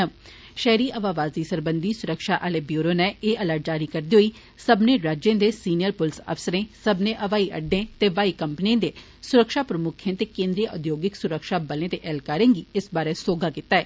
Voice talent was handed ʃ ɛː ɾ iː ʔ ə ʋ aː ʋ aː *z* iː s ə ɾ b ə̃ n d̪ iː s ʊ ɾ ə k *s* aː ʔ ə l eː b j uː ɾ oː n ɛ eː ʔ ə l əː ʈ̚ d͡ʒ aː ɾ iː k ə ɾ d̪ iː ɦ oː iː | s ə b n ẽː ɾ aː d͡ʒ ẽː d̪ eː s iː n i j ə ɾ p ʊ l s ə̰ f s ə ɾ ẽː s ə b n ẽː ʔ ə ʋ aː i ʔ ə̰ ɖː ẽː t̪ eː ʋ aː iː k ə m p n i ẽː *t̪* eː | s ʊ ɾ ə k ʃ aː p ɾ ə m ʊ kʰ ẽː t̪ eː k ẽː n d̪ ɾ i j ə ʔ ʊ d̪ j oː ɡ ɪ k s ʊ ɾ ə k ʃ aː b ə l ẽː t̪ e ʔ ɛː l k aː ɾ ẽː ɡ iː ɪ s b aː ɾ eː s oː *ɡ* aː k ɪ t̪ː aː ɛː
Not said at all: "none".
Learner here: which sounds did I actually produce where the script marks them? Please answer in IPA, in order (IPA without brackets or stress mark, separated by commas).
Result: z, ʃ, d̪, ɡ